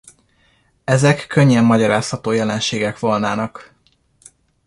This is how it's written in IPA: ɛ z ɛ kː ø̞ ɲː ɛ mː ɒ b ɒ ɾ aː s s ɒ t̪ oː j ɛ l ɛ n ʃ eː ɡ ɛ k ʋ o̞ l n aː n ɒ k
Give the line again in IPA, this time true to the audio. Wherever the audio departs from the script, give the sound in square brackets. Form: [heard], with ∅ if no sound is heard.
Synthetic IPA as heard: ɛ z ɛ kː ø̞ ɲː ɛ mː ɒ [ɟ] ɒ ɾ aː s [h] ɒ t̪ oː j ɛ l ɛ n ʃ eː ɡ ɛ k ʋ o̞ l n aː n ɒ k